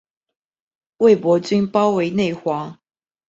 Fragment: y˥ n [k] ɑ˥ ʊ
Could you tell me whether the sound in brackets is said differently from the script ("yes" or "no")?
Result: yes